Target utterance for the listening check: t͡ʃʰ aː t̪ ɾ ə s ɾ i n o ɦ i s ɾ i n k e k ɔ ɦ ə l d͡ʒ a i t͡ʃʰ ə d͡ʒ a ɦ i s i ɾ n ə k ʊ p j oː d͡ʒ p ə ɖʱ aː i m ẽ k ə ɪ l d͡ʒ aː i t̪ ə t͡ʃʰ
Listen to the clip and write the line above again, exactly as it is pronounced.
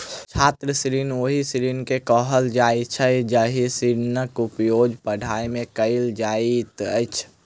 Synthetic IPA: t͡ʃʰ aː t̪ ɾ ə s ɾ i n o ɦ i s ɾ i n k e k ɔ ɦ ə l d͡ʒ a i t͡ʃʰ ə d͡ʒ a ɦ i s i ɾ n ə k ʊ p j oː d͡ʒ p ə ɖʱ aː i m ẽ k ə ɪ l d͡ʒ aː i t̪ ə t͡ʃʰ

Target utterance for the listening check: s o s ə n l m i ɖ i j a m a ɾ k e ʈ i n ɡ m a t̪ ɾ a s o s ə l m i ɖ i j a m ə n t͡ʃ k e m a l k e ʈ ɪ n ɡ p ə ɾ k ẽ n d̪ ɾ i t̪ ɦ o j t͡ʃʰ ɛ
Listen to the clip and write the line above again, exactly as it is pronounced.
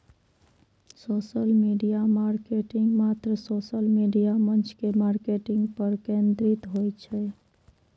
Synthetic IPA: s o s ə l m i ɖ i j a m a ɾ k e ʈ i ŋ ɡ m a t̪ ɾ ə s o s ə l m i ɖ i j a m ə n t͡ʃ k e m a ɾ k e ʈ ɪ ŋ ɡ p ə ɾ k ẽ n d̪ ɾ i t̪ ɦ o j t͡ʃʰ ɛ

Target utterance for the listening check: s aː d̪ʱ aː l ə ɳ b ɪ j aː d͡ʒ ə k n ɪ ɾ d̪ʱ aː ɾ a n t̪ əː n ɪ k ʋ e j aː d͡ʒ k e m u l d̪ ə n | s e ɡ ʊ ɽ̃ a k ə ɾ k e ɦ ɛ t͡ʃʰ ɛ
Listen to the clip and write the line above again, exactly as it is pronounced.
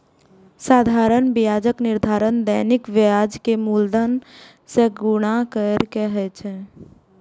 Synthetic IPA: s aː d̪ʱ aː ɾ ə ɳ b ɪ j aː d͡ʒ ə k n ɪ ɾ d̪ʱ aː ɾ ə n d̪ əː n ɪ k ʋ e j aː d͡ʒ k e m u l d̪ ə n | s e ɡ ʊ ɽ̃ a k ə ɾ k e ɦ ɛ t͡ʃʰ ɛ

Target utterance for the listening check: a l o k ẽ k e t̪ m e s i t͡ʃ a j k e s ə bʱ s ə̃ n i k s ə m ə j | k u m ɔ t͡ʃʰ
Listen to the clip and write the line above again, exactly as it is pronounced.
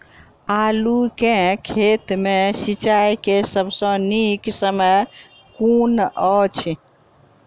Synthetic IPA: a l u k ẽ kʰ e t̪ m e s i t͡ʃ a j k e s ə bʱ s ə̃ n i k s ə m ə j | k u n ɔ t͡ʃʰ

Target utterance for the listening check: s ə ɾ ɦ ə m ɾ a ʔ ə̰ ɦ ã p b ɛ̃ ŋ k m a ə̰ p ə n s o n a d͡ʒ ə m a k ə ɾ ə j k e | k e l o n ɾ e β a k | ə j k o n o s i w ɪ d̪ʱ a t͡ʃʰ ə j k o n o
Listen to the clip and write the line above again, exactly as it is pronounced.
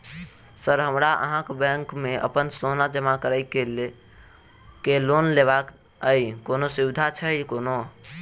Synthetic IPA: s ə ɾ ɦ ə m ɾ a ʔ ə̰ ɦ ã k b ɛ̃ ŋ k m e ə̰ p ə n s o n a d͡ʒ ə m a k ə ɾ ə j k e | k e l o n l e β a k | ə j k o n o s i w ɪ d̪ʱ a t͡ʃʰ ə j k o n o

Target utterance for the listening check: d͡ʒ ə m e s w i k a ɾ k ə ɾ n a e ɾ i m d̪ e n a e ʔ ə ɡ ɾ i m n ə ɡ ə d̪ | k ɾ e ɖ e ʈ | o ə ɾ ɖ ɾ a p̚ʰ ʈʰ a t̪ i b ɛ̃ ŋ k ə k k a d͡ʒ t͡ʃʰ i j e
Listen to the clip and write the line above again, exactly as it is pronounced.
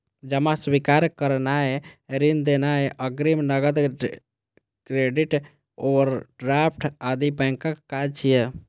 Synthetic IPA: d͡ʒ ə m a s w i k a ɾ k ə ɾ n a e ɾ i n d̪ e n a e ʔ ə ɡ ɾ i m n ə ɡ ə d̪ | k ɾ e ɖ i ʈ | o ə ɾ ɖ ɾ a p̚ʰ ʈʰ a d̪ i b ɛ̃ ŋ k ə k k a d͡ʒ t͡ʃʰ i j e

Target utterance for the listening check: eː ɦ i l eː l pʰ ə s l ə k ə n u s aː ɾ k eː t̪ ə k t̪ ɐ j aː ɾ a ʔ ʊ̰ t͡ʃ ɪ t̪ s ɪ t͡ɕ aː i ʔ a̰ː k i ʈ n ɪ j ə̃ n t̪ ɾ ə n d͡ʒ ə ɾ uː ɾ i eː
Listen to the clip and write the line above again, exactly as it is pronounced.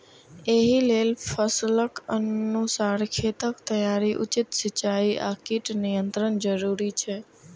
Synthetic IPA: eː ɦ i l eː l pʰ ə s l ə k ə n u s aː ɾ kʰ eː t̪ ə k t̪ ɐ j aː ɾ i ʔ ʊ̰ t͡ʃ ɪ t̪ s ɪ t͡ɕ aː i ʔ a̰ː k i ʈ n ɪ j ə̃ n t̪ ɾ ə n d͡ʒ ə ɾ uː ɾ i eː

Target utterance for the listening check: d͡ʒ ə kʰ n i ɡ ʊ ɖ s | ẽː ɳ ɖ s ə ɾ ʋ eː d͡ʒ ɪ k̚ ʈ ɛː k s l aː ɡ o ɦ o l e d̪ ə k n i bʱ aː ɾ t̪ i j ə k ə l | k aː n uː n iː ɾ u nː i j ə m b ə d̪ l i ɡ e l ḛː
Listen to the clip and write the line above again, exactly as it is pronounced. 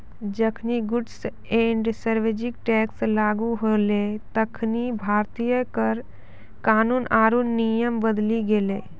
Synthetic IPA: d͡ʒ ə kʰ n i ɡ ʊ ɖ s | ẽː ɳ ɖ s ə ɾ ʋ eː d͡ʒ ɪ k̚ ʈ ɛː k s l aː ɡ u ɦ o l e t̪ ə kʰ n i bʱ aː ɾ t̪ i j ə k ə ɾ | k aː n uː n aː ɾ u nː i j ə m b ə d̪ l i ɡ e l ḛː

